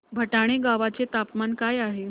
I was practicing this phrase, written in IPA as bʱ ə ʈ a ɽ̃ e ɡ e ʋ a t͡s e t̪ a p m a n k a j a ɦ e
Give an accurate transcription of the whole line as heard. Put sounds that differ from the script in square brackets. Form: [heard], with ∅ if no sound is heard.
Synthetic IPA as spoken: bʱ ə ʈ a ɽ̃ e ɡ [a] ʋ a t͡s e t̪ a p m a n k a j a ɦ e